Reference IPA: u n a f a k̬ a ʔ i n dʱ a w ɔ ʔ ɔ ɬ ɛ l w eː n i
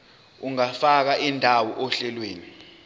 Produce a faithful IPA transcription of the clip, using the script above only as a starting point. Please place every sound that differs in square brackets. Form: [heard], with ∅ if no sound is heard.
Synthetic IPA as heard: u [ŋ] a f a k̬ a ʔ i n dʱ a w ɔ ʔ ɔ ɬ ɛ l w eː n i